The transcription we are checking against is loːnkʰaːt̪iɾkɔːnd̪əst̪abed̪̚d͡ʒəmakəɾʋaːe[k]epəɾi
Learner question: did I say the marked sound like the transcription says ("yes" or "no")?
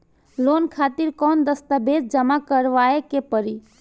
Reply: yes